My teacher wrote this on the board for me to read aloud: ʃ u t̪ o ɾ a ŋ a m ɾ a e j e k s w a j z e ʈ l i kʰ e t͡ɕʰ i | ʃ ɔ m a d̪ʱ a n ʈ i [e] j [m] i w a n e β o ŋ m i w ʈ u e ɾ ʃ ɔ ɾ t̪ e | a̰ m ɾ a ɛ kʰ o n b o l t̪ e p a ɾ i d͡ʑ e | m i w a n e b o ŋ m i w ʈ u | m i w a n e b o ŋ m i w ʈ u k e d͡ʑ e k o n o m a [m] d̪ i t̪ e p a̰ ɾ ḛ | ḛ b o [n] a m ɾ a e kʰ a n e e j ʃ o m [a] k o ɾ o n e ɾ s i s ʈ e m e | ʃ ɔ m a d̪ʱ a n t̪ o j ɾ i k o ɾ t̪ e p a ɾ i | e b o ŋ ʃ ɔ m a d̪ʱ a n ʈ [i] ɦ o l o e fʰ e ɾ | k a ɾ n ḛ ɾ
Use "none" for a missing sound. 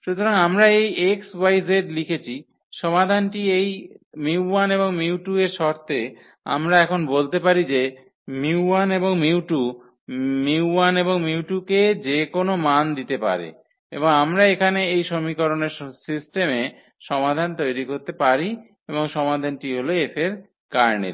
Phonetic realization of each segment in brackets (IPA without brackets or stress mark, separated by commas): e, m, n, ŋ, i, i